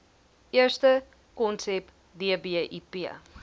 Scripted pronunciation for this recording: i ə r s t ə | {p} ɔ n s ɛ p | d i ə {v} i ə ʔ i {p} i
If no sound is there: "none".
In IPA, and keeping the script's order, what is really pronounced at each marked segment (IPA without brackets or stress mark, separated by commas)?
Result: k, b, p